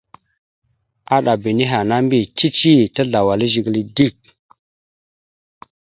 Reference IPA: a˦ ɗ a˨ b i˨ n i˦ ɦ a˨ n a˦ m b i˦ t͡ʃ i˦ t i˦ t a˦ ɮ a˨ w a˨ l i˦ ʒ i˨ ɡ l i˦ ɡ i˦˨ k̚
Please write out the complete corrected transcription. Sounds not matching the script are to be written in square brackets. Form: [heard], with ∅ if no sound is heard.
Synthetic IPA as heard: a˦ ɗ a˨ b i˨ n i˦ ɦ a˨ n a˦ m b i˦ t͡ʃ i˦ [t͡ʃ] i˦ t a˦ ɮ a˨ w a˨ l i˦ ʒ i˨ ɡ l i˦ [d] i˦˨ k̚